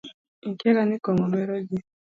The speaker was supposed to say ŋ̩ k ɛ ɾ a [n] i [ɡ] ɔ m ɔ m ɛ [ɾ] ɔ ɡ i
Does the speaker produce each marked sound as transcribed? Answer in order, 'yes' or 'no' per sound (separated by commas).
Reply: yes, no, yes